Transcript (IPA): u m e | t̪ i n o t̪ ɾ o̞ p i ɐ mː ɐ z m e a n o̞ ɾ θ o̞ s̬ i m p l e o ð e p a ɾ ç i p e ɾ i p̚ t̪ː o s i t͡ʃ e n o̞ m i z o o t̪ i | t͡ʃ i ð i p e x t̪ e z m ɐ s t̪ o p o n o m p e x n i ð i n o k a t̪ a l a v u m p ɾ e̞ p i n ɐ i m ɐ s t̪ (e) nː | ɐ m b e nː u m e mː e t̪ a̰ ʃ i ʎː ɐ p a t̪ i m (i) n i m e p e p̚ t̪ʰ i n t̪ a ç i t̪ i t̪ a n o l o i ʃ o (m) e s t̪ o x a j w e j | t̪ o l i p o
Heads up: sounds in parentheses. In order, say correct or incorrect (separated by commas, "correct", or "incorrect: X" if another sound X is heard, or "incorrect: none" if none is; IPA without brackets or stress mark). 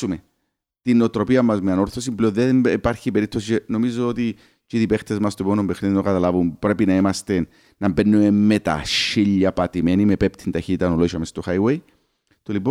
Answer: correct, incorrect: e, correct